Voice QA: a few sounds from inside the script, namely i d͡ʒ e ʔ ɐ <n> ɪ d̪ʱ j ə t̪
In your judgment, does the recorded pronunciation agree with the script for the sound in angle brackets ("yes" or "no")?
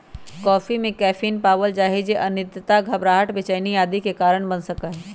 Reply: yes